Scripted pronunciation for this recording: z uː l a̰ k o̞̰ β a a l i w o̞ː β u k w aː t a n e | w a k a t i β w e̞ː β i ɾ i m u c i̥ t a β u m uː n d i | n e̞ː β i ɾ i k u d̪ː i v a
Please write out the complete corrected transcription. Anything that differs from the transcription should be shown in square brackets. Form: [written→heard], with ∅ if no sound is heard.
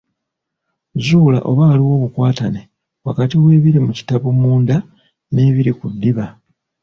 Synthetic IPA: z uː l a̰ [k→ʔ] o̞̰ β a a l i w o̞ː β u k w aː t a n e | w a k a t i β w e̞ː β i ɾ i m u c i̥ t a β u m uː n d [i→a] | n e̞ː β i ɾ i k u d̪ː i [v→β] a